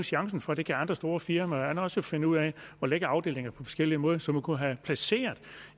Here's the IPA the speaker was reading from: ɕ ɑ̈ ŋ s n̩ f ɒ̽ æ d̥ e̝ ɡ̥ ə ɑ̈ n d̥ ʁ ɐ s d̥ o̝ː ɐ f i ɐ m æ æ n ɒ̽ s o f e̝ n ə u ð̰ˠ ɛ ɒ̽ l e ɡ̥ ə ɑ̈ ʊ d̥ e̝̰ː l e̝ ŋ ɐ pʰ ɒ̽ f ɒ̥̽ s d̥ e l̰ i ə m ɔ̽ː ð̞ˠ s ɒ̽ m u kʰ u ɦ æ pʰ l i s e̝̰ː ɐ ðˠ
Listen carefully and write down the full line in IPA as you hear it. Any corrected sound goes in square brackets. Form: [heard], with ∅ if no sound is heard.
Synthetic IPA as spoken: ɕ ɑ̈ ŋ s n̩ f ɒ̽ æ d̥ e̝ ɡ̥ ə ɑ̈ n d̥ ʁ ɐ s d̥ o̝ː ɐ f i ɐ m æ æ n ɒ̽ s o f e̝ n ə u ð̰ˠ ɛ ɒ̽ l e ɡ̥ ə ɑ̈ ʊ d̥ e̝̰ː l e̝ ŋ ɐ pʰ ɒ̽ f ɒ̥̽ s [ɡ̥] e l̰ i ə m ɔ̽ː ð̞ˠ s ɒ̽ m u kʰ u ɦ æ pʰ l [æ] s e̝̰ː ɐ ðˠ